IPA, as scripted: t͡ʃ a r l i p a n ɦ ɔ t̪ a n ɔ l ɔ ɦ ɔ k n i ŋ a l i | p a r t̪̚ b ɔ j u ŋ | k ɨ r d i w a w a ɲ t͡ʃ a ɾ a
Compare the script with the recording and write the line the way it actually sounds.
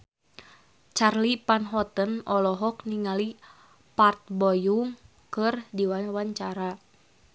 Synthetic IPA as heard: t͡ʃ a r l i p a n ɦ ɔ t̪ ə n ɔ l ɔ ɦ ɔ k n i ŋ a l i | p a r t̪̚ b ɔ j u ŋ | k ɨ r d i w a w a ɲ t͡ʃ a ɾ a